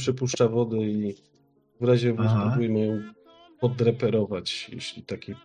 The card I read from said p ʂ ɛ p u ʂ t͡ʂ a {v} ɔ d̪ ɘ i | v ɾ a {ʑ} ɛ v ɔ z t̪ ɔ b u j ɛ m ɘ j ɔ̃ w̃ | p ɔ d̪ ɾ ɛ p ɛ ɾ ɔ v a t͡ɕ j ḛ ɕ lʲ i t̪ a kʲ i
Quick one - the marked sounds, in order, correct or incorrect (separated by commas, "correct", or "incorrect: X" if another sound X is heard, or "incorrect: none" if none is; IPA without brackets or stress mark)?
correct, correct